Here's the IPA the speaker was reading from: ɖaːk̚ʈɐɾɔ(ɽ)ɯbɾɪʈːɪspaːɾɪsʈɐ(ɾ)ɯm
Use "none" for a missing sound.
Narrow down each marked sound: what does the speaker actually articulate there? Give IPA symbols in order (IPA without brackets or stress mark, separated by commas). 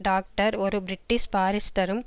ɾ, ɾ